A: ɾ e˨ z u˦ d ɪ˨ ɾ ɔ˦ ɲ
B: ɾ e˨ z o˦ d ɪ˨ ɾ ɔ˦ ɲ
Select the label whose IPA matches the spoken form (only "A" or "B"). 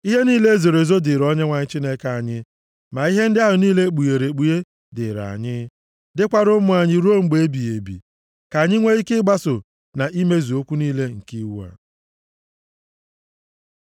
B